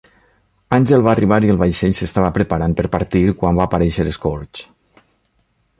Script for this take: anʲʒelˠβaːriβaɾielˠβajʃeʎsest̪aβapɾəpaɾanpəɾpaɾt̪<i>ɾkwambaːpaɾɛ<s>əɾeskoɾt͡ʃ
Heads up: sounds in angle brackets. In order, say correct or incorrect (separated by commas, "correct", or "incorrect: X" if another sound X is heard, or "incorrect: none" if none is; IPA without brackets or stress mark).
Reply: correct, incorrect: ʃ